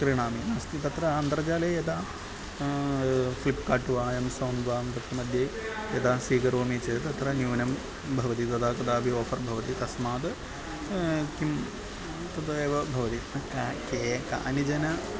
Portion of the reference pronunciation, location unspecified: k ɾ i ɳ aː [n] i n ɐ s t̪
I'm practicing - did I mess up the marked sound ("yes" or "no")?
yes